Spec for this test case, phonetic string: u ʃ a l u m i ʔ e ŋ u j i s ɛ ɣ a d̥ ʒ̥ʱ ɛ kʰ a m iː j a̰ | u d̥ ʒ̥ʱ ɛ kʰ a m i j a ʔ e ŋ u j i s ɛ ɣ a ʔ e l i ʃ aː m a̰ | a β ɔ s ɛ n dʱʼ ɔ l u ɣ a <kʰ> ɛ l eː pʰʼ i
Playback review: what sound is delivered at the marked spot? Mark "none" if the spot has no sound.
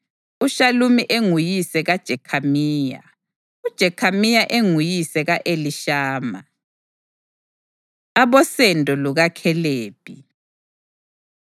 kʰ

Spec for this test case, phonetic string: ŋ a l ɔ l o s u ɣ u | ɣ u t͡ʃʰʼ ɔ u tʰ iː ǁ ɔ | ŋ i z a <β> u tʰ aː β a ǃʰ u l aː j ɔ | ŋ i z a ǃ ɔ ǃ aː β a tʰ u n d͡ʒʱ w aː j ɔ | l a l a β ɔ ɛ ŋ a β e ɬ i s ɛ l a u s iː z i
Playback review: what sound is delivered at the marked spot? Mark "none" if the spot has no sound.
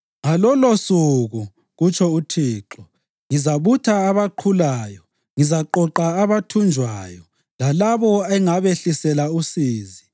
β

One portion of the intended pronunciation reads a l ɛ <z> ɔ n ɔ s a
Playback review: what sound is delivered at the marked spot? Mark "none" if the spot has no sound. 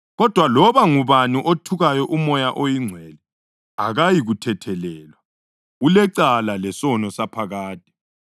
s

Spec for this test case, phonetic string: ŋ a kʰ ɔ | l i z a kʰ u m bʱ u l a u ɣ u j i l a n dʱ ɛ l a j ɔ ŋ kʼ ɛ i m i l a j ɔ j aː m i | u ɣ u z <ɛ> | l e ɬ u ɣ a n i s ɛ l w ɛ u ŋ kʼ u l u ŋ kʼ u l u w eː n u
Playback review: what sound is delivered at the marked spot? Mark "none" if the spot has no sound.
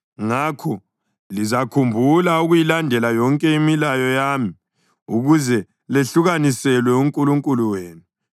ɛ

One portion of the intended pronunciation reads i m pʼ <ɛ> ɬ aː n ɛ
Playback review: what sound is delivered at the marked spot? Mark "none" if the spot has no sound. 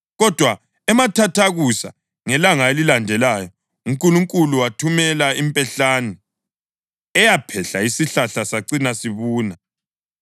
ɛ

